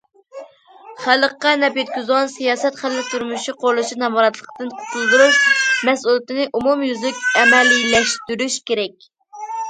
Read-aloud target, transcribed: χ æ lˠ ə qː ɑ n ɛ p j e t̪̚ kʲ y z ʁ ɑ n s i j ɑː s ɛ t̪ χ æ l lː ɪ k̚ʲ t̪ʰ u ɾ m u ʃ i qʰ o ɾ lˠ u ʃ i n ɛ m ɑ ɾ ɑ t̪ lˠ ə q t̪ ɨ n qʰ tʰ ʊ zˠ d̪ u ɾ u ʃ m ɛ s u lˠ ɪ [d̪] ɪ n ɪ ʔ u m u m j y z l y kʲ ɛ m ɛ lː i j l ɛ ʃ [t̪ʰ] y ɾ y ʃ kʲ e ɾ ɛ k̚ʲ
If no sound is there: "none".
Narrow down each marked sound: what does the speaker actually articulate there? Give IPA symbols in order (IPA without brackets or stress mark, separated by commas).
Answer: t̪, t̪